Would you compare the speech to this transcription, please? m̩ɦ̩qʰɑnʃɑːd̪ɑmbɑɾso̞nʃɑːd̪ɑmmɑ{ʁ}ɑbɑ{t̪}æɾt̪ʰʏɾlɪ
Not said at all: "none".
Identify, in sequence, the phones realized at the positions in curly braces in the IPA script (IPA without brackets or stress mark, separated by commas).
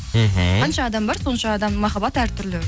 χ, t̪